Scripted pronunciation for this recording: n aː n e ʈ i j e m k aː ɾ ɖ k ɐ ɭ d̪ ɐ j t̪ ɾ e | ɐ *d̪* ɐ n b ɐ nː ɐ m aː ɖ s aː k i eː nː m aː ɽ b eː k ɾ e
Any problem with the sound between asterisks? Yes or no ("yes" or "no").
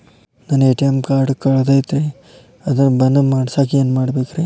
no